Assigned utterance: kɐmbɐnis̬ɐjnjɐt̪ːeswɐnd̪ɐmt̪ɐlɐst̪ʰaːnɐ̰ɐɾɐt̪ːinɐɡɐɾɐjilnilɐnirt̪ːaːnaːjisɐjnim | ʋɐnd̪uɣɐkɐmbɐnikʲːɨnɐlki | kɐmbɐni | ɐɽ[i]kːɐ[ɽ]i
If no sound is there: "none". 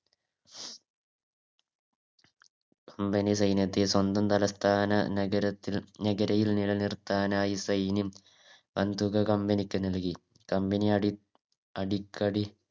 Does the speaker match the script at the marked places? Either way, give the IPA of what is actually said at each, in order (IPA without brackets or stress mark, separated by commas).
i, ɽ